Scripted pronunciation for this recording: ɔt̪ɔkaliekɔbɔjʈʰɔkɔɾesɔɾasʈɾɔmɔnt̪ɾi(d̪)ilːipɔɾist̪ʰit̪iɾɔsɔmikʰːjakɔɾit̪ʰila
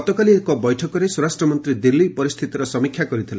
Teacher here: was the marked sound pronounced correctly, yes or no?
yes